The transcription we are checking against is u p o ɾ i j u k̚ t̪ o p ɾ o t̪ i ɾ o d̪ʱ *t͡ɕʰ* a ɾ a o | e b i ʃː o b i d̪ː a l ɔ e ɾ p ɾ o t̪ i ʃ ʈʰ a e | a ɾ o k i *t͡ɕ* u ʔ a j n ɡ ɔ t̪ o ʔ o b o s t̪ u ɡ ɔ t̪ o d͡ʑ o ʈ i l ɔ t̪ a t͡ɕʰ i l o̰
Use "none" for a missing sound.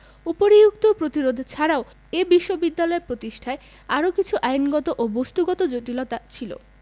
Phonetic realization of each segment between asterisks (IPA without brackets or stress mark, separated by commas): t͡ɕʰ, t͡ɕʰ